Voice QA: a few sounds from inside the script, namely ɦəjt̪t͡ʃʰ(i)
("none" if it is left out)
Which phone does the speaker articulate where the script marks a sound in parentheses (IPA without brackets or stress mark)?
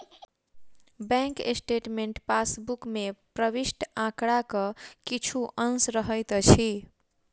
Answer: i